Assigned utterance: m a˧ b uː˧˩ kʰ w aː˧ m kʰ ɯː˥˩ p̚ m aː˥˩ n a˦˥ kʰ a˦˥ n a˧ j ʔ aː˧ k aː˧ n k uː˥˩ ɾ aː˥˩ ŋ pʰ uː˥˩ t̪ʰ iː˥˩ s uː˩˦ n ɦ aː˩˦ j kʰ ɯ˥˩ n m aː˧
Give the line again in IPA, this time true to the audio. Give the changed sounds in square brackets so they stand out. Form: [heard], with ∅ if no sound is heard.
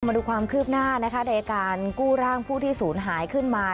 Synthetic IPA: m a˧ [d] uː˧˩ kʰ w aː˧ m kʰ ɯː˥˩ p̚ [n] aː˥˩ n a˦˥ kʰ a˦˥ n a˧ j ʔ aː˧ k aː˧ n k uː˥˩ ɾ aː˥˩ ŋ pʰ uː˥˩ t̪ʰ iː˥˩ s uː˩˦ n ɦ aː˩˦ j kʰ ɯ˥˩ n m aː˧